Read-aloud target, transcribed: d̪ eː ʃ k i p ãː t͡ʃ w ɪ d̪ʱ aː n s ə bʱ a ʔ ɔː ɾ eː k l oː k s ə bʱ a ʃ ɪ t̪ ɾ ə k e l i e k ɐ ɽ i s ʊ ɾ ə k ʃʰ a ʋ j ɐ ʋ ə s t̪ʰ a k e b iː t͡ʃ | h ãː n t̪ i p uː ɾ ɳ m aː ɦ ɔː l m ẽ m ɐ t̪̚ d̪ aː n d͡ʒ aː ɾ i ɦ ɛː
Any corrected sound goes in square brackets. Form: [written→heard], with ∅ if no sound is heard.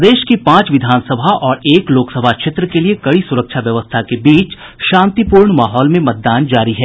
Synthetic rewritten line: d̪ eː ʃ k i p ãː t͡ʃ [w→ʋ] ɪ d̪ʱ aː n s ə bʱ a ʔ ɔː ɾ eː k l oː k s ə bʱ a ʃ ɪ t̪ ɾ ə k e l i e k ɐ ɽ i s ʊ ɾ ə k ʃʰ a ʋ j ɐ ʋ ə s t̪ʰ a k e b iː t͡ʃ | [h→ʃ] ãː n t̪ i p uː ɾ ɳ m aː ɦ ɔː l m ẽ m ɐ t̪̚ d̪ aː n d͡ʒ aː ɾ i ɦ ɛː